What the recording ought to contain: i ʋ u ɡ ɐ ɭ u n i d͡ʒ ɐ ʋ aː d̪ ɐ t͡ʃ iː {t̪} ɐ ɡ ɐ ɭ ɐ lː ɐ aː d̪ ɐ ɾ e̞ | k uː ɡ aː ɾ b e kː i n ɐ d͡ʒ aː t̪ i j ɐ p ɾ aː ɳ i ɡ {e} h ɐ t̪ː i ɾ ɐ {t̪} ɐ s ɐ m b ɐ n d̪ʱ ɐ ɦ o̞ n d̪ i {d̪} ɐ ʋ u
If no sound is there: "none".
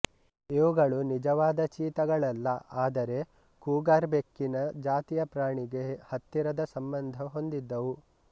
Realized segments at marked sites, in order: t̪, e, d̪, d̪ː

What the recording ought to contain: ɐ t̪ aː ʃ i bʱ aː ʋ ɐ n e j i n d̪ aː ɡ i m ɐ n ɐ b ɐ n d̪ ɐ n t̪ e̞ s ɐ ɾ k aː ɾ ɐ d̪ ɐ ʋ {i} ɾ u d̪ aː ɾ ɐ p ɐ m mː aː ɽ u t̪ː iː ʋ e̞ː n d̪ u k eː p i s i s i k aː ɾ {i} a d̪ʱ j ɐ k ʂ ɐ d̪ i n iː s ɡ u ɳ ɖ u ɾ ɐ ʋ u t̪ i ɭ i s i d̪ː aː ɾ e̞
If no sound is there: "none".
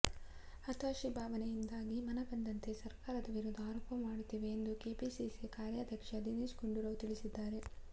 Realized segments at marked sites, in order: i, j

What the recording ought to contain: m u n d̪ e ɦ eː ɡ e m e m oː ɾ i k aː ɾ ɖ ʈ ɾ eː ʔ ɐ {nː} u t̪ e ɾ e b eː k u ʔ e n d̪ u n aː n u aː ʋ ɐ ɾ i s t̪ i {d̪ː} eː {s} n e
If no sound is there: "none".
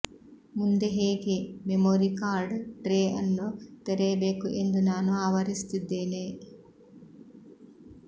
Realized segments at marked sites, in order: nː, d̪ː, none

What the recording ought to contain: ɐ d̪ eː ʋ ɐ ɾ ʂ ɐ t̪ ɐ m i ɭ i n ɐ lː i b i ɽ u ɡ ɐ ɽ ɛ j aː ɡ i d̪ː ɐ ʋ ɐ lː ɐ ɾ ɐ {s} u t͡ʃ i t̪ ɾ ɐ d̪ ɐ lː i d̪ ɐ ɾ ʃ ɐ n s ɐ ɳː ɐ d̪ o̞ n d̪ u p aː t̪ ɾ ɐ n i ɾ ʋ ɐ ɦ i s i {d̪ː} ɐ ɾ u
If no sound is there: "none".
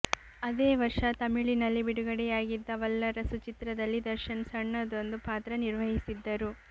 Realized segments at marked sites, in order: s, d̪ː

